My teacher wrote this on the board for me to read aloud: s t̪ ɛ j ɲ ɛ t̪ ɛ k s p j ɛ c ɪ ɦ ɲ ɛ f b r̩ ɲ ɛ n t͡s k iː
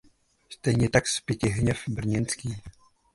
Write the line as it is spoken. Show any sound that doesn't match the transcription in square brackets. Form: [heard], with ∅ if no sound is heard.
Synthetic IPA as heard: s t̪ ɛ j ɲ ɛ t̪ [a] k s p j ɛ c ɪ ɦ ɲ ɛ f b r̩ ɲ ɛ n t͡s k iː